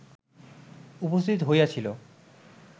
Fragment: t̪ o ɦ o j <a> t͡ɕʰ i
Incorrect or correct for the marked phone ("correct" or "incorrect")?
correct